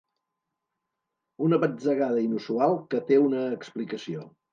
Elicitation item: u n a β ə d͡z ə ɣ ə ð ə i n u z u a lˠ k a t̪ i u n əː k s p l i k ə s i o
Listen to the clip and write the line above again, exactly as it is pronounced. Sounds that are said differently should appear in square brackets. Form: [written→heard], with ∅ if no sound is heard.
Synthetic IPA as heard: u n [a→ə] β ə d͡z ə ɣ [ə→a] ð ə i n u [z→s] u a lˠ k [a→ə] t̪ [i→e] u n əː k s p l i k ə s i o